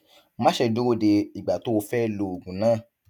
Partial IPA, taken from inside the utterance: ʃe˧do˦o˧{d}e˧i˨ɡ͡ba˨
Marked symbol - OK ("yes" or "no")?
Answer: yes